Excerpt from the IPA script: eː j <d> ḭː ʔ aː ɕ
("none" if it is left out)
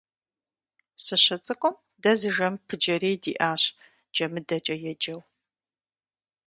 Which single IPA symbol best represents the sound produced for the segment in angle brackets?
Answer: d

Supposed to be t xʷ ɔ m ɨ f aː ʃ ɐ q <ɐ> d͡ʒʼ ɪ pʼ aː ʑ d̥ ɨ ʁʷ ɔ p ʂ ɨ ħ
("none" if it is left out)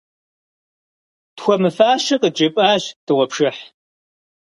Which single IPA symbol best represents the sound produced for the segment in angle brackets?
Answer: ə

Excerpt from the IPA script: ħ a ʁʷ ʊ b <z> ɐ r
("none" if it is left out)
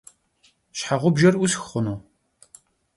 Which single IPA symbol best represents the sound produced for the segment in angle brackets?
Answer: ʒ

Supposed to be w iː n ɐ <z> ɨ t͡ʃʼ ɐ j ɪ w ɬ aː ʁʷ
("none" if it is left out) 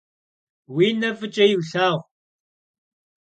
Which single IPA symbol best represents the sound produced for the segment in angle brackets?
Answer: v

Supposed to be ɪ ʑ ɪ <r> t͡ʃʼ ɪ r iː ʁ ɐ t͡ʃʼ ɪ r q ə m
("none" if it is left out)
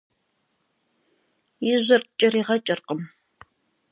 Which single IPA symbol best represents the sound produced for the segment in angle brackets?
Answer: r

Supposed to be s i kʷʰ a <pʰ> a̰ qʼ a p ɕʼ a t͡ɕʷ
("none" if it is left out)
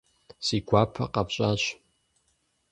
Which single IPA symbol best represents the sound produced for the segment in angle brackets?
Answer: pʰ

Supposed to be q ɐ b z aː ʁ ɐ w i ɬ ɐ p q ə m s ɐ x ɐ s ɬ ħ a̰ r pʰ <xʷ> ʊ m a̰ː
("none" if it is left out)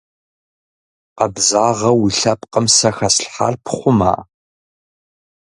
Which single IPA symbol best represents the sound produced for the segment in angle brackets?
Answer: χʷ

